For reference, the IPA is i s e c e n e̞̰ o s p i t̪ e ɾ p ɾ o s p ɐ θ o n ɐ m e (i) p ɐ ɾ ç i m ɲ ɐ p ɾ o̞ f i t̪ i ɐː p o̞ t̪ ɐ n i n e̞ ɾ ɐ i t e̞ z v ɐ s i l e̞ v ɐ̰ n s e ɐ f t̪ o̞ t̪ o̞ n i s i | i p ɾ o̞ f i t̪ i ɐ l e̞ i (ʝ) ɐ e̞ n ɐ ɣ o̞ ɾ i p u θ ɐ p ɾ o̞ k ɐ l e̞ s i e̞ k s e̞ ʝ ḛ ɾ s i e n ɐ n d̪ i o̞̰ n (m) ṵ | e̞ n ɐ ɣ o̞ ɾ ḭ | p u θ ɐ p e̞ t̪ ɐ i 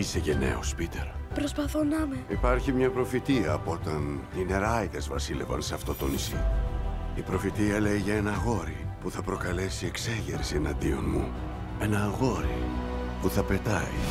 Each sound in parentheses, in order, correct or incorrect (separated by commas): correct, correct, correct